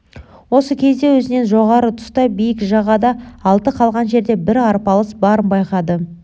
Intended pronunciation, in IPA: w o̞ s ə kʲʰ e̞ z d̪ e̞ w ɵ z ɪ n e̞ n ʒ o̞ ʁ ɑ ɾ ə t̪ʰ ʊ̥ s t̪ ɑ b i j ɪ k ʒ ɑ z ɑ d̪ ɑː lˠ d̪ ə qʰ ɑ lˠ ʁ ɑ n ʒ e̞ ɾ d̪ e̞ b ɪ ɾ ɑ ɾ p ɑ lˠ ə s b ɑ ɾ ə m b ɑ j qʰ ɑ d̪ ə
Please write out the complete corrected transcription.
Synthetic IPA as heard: w o̞ s ə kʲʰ e̞ z d̪ e̞ w ɵ z ɪ n e̞ n ʒ o̞ ʁ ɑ ɾ ə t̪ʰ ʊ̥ s t̪ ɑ b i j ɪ k ʒ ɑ ʁ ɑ d̪ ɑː lˠ t̪ ə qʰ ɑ lˠ ʁ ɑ n ʒ e̞ ɾ d̪ e̞ b ɪ ɾ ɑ ɾ p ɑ lˠ ə s b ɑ ɾ ə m b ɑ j q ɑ d̪ ə